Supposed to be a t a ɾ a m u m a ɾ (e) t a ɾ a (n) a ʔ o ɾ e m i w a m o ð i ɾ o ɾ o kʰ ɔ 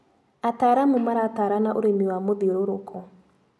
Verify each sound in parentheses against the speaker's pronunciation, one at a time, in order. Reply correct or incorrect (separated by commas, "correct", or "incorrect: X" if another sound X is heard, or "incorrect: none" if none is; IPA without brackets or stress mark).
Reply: incorrect: a, correct